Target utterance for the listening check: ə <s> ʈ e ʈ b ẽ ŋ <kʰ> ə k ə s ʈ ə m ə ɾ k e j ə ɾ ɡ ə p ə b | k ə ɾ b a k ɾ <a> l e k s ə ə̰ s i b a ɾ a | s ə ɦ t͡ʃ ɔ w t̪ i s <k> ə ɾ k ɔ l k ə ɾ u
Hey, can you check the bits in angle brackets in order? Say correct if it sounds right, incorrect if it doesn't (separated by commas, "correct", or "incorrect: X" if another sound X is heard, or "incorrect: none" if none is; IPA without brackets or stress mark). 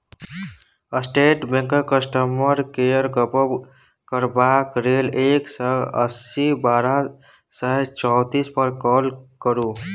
correct, incorrect: k, incorrect: e, incorrect: p